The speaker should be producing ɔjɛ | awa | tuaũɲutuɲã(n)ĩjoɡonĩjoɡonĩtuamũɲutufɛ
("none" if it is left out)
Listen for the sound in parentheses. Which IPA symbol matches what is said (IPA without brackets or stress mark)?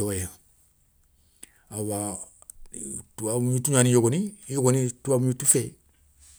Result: n